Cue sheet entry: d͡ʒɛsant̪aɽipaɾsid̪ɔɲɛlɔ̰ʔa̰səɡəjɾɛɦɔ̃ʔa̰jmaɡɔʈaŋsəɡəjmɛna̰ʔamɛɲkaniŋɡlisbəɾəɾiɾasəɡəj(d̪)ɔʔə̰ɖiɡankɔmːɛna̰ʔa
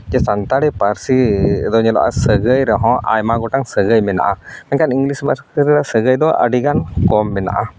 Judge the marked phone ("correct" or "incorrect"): correct